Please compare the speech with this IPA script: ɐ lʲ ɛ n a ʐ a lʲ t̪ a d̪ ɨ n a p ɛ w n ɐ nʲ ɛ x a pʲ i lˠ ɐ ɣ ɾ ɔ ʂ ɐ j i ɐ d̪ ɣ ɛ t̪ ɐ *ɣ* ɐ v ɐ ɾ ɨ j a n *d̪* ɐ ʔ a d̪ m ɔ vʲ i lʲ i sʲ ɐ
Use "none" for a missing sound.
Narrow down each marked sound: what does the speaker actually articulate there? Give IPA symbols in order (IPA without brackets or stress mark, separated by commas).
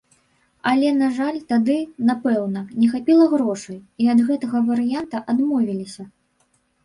ɣ, t̪